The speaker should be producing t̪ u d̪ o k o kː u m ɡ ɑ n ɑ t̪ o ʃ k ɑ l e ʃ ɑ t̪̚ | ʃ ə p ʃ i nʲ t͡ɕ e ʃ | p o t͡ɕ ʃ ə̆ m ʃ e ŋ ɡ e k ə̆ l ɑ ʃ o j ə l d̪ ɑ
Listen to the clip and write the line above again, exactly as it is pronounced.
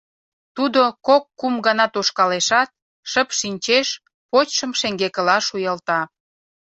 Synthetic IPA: t̪ u d̪ o k o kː u m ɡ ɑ n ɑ t̪ o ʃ k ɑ l e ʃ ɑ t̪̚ | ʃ ə p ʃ i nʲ t͡ɕ e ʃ | p o t͡ɕ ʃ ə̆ m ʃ e ŋ ɡ e k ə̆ l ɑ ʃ u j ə l t̪ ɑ